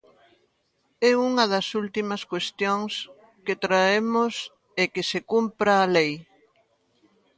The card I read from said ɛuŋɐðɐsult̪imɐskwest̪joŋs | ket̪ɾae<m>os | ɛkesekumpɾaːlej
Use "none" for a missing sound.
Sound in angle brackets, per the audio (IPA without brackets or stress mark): m